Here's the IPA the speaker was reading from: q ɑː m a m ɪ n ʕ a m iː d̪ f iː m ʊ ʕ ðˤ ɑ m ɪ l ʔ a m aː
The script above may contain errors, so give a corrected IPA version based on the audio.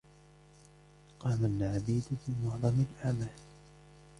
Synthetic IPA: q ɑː m a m ɪ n ʕ a b iː d̪ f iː m ʊ ʕ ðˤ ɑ m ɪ l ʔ a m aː

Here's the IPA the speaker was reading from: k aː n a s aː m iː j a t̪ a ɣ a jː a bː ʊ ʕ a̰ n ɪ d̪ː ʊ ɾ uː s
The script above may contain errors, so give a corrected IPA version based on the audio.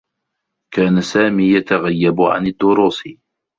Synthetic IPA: k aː n a s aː m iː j a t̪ a ɣ a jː a b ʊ ʕ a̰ n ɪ d̪ː ʊ ɾ uː s

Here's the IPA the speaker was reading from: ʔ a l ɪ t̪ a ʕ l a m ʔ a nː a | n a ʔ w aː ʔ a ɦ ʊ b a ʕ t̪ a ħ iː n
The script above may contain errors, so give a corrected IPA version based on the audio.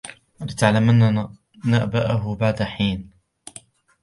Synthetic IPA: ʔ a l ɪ t̪ a ʕ l a m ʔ a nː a | n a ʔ b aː ʔ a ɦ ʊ b a ʕ d̪ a ħ iː n

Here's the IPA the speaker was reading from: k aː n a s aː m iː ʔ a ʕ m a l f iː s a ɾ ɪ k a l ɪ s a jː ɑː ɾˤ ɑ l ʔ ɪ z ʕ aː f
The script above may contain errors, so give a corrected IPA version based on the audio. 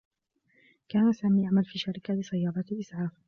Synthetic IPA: k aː n a s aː m iː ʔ a ʕ m a l f iː ʃ a ɾ ɪ k a l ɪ s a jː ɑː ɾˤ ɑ l ʔ ɪ s ʕ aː f

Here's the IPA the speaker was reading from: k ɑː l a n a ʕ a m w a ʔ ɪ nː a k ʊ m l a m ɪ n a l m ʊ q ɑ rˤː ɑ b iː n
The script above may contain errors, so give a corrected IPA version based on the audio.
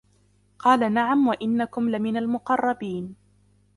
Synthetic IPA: q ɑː l a n a ʕ a m w a ʔ ɪ nː a k ʊ m l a m ɪ n a l m ʊ q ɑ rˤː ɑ b iː n

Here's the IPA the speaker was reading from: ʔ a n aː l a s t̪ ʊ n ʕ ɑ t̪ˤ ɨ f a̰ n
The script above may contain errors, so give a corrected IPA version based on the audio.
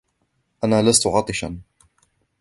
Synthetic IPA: ʔ a n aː l a s t̪ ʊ ʕ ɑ t̪ˤ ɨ ʃ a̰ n

